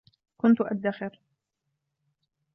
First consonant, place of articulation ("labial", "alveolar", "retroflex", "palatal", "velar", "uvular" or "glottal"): velar